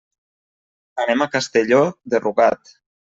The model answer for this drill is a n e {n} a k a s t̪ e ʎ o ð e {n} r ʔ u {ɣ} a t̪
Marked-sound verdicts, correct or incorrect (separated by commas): incorrect, incorrect, correct